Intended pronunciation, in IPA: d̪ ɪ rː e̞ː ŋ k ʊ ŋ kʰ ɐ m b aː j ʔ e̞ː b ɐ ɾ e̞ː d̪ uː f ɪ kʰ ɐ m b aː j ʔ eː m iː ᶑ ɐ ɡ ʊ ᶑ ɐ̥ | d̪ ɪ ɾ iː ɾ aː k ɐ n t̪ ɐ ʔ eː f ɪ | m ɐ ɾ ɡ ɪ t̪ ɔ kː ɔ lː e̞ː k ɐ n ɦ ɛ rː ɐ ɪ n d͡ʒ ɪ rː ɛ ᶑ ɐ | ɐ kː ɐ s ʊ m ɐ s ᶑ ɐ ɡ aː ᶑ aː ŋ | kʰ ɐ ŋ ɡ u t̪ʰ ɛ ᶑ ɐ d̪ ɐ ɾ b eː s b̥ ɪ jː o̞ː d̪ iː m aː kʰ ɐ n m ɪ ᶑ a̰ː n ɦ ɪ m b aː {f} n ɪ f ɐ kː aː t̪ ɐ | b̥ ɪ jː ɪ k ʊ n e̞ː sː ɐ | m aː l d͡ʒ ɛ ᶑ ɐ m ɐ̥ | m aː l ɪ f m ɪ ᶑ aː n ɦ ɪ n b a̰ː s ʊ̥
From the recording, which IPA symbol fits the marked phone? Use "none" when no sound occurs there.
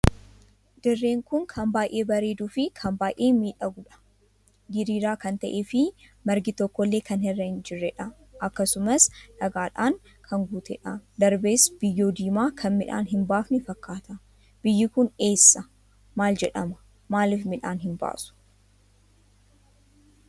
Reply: f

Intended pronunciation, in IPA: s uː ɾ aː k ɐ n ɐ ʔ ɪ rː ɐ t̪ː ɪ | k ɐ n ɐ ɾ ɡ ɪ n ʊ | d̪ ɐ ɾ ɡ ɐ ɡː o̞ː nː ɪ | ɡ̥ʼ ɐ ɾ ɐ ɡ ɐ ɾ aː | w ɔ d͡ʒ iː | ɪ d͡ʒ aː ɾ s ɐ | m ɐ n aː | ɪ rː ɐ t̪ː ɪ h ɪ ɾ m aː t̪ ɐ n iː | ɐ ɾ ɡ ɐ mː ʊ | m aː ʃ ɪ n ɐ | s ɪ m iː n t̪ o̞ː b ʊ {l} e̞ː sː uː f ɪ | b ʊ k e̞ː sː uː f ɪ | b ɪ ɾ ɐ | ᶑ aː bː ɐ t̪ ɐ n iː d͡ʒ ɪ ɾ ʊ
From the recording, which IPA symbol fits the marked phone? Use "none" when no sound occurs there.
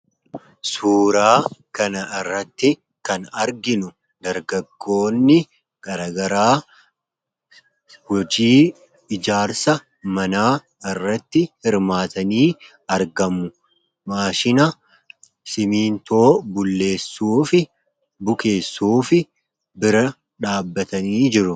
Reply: lː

